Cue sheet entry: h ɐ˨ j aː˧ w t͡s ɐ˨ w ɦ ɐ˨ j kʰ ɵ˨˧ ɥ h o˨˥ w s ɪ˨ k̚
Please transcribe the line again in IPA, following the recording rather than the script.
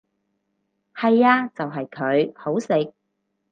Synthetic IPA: h ɐ˨ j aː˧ t͡s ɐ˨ w ɦ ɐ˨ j kʰ ɵ˨˧ ɥ h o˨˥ w s ɪ˨ k̚